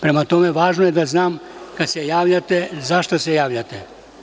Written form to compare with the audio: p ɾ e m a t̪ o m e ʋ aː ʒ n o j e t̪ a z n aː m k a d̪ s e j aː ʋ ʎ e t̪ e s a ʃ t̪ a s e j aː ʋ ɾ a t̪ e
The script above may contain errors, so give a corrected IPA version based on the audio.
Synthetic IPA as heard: p ɾ e m a t̪ o m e ʋ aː ʒ n o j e d̪ a z n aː m k a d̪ s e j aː ʋ ʎ a t̪ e z a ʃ t̪ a s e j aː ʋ ʎ a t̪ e